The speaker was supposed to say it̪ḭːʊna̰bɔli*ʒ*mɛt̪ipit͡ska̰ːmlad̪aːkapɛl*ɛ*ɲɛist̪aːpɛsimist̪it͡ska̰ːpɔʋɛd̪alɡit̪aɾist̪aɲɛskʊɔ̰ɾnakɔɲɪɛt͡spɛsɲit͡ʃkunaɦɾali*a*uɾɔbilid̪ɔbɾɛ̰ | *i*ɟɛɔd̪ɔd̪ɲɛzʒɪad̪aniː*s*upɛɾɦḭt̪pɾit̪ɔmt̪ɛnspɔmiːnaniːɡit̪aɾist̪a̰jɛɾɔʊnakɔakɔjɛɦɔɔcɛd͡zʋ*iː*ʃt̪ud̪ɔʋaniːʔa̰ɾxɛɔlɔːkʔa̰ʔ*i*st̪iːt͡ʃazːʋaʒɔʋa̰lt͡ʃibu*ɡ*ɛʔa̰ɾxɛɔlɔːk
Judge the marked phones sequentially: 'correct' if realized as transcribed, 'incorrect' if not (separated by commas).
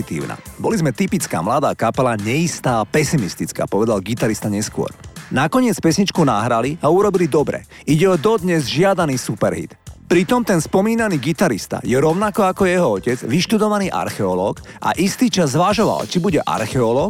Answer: incorrect, incorrect, correct, correct, correct, incorrect, correct, incorrect